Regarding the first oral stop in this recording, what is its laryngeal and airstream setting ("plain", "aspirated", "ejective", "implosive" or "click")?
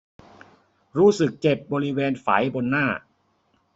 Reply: plain